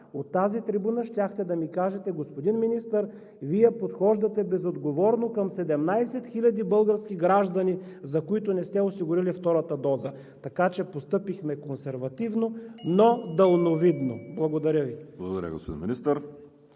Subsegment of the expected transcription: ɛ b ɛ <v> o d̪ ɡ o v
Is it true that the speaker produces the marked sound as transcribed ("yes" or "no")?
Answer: no